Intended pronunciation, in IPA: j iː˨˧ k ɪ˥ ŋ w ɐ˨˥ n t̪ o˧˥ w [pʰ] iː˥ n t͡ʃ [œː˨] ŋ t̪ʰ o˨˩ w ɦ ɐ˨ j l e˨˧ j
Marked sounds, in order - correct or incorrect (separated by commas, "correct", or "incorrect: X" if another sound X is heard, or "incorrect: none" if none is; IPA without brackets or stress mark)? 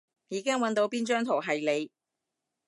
incorrect: p, incorrect: œː˥